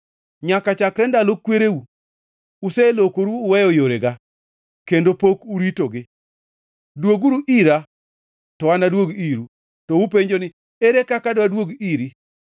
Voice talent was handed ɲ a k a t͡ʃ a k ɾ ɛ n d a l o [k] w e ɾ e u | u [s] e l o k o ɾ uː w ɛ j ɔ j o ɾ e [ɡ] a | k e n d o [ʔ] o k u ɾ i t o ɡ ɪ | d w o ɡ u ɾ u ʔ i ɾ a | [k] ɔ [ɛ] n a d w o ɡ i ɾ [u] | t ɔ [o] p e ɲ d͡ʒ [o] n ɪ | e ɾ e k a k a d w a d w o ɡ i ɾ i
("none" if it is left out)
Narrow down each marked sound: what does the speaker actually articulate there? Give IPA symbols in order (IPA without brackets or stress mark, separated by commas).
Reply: k, s, ɡ, p, t, a, u, u, o